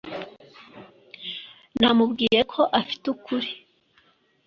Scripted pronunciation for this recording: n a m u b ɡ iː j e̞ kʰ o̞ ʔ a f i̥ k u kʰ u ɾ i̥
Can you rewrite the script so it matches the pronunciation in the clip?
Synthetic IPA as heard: n a m u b ɡ iː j e̞ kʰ o̞ ʔ a f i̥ t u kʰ u ɾ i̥